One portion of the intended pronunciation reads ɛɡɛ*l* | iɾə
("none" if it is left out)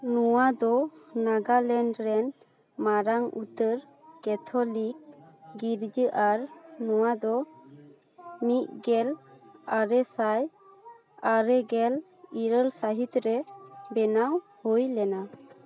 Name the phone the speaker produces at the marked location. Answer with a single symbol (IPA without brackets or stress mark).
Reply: l